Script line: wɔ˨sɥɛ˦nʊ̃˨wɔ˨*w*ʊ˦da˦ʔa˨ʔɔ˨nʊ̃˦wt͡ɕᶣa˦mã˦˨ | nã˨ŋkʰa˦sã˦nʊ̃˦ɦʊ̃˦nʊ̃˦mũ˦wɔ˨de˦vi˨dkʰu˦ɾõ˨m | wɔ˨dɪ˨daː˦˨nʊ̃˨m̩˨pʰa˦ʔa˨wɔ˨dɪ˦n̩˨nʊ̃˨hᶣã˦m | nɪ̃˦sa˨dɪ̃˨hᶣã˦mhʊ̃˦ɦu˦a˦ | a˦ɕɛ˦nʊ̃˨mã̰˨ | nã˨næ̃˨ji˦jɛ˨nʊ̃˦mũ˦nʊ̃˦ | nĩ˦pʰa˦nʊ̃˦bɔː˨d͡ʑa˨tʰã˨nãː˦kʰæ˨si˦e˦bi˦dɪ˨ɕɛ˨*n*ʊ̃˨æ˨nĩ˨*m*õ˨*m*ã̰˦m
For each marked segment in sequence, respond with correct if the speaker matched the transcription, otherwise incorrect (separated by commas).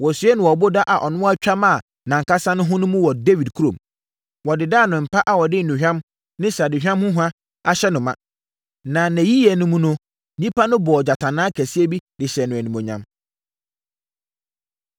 incorrect, correct, correct, incorrect